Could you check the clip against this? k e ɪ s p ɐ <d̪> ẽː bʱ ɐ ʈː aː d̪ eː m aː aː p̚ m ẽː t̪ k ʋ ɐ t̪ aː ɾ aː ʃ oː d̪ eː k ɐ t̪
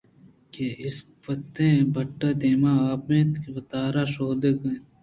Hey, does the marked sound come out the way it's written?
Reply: no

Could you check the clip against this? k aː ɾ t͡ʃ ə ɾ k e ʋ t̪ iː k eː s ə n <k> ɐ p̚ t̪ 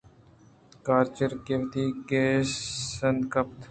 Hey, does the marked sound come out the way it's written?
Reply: yes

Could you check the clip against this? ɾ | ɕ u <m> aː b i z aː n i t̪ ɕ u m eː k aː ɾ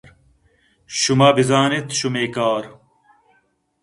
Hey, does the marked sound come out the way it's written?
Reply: yes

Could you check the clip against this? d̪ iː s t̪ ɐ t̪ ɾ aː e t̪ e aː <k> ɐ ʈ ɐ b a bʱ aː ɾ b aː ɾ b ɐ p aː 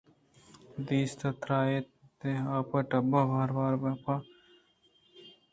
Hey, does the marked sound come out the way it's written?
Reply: no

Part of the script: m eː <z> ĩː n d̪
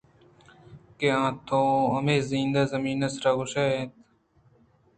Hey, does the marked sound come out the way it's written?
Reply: yes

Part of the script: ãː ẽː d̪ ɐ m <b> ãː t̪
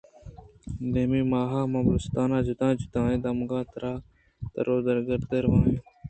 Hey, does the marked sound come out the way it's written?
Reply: no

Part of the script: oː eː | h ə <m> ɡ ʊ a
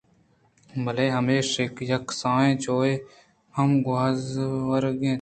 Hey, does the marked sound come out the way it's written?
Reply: yes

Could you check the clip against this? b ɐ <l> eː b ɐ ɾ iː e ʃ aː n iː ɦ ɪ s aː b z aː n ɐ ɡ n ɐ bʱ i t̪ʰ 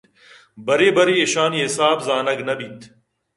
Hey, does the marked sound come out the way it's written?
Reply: no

